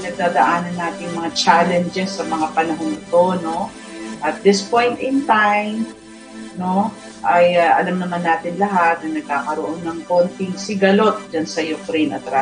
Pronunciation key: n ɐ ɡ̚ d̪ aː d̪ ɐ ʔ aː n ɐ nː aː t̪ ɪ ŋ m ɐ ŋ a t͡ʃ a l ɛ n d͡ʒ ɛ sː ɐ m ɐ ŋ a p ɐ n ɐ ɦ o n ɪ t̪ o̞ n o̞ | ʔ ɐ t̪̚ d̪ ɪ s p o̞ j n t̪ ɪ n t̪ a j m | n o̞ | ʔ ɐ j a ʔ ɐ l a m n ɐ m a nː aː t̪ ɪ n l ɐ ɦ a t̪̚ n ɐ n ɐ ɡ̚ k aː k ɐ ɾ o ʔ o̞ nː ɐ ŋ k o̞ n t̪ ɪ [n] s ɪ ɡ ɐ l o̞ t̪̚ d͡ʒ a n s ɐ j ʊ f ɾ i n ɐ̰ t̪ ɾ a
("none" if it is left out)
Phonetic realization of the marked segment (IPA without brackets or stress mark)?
ŋ